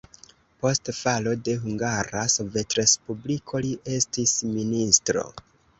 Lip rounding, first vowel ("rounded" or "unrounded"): rounded